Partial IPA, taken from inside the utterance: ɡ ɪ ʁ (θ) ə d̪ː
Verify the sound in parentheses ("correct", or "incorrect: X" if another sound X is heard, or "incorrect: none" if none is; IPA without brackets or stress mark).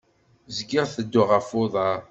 correct